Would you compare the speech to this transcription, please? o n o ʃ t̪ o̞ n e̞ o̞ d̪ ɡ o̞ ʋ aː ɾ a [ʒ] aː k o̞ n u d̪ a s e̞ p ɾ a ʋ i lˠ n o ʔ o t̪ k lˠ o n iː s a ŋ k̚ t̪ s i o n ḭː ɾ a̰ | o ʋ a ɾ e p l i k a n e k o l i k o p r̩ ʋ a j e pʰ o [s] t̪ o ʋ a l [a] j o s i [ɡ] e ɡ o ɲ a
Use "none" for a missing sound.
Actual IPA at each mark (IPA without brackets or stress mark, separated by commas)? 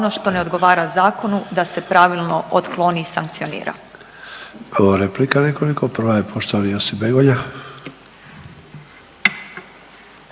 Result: z, ʃ, i, b